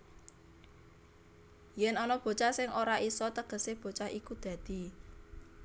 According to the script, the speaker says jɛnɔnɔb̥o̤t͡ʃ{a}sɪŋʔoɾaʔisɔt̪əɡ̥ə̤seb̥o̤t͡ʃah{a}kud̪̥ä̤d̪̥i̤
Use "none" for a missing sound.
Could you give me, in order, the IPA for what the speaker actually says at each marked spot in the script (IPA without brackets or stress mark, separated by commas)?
a, i